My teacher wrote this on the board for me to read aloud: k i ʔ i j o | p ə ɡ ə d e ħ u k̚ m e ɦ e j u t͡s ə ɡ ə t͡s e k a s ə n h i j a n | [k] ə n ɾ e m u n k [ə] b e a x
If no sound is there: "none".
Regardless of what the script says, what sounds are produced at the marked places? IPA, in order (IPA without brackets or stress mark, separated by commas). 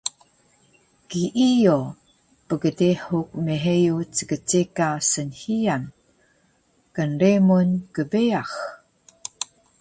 k, ə